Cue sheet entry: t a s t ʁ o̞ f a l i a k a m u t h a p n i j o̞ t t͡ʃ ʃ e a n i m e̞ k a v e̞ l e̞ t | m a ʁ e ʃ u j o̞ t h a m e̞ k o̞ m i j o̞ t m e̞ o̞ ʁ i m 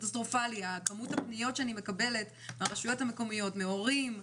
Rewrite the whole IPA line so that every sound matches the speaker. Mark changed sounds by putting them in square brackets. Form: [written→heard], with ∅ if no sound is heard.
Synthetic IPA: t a s t ʁ o̞ f a l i a k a m u t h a p n i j o̞ t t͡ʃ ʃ e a n i m e̞ k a [v→b] e̞ l e̞ t | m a ʁ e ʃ u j o̞ t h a m e̞ k o̞ m i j o̞ t m e̞ o̞ ʁ i m